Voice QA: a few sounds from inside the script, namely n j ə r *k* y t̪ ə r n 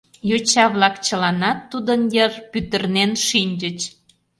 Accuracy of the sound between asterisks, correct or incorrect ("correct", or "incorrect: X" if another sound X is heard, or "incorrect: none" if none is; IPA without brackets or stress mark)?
incorrect: p